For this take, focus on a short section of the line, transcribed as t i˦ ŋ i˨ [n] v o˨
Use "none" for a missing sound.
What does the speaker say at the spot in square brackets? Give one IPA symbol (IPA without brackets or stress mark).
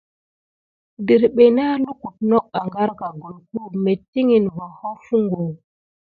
n